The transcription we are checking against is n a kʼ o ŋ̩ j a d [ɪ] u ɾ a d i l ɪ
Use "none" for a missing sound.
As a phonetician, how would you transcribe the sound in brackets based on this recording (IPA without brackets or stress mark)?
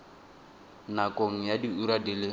i